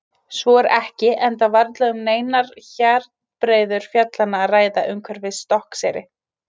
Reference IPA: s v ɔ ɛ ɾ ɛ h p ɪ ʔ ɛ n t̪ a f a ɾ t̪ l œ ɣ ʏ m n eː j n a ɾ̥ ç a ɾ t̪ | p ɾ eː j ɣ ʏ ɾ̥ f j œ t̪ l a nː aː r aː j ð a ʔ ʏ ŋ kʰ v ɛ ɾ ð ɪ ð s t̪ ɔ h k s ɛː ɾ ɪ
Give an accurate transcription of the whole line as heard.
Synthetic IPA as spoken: s v ɔ ɛ ɾ ɛ h c ɪ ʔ ɛ n t̪ a v a ɾ t̪ l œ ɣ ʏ m n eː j n a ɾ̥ ç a ɾ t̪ | p ɾ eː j ð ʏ ɾ̥ f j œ t̪ l a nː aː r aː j ð a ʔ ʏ ŋ kʰ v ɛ ɾ v ɪ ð s t̪ ɔ h k s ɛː ɾ ɪ